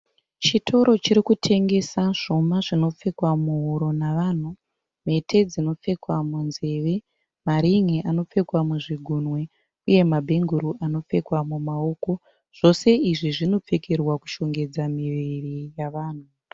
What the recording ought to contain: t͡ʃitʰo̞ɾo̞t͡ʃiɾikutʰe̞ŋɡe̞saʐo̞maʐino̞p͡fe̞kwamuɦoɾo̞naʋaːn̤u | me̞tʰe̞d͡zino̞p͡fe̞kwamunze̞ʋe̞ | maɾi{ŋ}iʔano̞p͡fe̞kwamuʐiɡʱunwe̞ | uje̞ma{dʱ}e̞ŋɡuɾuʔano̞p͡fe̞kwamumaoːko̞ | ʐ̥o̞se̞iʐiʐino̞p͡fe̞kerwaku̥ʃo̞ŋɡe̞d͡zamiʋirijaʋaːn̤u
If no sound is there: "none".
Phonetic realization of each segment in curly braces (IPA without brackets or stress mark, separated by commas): ŋ, bʱ